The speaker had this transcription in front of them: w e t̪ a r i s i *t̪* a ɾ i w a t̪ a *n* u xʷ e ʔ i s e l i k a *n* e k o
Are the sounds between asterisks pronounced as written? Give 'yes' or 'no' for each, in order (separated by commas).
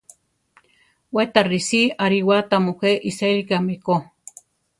no, no, no